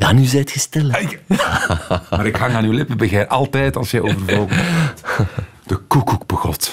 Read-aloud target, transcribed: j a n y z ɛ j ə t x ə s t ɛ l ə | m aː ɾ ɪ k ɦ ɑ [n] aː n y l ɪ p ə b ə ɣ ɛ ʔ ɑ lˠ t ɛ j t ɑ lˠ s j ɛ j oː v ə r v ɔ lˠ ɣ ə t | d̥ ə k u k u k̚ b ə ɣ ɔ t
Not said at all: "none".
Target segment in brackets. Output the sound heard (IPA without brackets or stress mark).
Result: ŋ